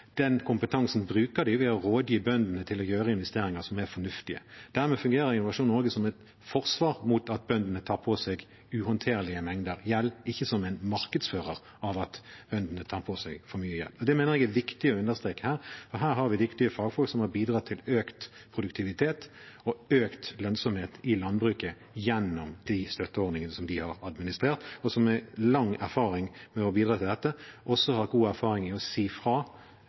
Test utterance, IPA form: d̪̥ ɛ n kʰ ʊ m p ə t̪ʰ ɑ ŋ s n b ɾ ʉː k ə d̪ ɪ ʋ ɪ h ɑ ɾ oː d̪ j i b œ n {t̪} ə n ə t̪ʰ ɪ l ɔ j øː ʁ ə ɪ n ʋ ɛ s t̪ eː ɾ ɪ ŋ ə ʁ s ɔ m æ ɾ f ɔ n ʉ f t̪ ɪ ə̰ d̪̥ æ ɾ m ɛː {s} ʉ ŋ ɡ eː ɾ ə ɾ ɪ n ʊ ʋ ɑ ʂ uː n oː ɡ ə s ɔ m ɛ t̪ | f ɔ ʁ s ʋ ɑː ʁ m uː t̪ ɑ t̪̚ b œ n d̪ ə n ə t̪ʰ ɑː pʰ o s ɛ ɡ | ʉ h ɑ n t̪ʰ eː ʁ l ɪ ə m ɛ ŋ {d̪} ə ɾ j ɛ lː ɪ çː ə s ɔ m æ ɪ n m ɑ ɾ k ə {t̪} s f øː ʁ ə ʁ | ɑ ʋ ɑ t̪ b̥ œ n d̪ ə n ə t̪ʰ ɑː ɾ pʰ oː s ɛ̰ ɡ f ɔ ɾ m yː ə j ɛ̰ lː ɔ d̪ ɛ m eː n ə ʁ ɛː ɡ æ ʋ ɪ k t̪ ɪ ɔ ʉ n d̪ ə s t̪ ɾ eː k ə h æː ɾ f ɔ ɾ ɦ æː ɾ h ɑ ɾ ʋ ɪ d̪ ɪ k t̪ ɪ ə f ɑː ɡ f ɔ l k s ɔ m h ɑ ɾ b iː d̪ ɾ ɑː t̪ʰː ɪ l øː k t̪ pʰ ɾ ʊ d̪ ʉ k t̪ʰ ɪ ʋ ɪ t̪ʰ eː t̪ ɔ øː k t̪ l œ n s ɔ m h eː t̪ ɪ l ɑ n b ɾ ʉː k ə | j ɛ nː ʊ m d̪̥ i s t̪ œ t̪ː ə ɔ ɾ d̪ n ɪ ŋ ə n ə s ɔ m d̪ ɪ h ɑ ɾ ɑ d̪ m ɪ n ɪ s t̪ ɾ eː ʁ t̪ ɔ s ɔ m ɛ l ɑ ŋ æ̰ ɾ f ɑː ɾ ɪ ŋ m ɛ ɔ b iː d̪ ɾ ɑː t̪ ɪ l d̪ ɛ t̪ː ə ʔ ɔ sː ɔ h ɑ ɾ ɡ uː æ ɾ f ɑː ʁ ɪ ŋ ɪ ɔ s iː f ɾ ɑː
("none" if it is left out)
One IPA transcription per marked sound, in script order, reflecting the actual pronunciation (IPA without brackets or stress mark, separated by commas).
d̪, f, d̪, d̪